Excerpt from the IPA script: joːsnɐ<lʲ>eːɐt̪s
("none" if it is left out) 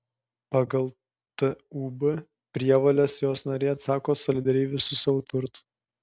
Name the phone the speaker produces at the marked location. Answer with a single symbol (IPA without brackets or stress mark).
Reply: ɾʲ